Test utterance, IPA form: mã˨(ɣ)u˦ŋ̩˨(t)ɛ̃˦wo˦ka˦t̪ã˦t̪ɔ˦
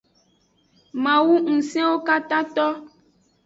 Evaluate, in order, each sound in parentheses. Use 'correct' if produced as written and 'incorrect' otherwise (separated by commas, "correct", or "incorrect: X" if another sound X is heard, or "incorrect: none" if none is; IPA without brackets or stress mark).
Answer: incorrect: w, incorrect: s